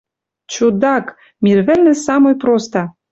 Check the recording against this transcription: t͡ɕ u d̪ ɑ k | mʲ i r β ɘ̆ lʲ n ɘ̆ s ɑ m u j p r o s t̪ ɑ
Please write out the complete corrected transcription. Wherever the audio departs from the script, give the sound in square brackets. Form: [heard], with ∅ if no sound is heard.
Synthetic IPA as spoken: t͡ɕ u d̪ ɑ k | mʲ i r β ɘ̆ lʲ n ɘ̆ s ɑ m [o] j p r o s t̪ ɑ